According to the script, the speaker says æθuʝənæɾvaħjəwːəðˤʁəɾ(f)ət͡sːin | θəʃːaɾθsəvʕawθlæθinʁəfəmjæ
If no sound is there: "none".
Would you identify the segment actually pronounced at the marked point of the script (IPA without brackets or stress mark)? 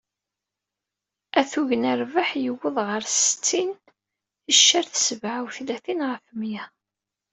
s